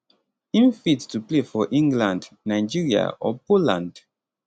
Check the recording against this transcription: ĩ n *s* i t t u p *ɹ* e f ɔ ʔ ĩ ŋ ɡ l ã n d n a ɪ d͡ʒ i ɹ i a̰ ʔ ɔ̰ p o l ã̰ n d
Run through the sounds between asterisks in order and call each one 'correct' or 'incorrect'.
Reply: incorrect: f, incorrect: l

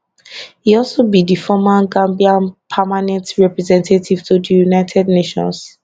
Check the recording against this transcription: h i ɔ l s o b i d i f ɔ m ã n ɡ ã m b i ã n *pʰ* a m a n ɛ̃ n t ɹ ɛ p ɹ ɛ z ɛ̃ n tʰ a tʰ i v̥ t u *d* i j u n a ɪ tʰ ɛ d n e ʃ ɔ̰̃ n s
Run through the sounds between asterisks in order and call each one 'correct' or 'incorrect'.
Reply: correct, correct

